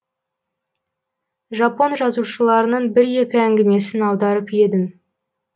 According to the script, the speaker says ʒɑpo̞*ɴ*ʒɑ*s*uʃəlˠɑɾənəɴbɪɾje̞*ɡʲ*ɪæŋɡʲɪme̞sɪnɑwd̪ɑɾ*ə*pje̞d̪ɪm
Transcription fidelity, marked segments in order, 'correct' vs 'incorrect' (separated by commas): incorrect, incorrect, incorrect, correct